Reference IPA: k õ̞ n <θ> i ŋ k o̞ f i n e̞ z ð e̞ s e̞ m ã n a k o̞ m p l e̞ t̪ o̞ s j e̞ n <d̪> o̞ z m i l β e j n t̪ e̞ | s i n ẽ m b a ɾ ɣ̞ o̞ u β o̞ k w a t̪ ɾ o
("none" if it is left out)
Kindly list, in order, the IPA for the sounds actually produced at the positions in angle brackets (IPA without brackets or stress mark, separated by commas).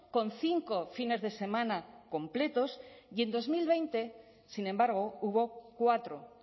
θ, d̪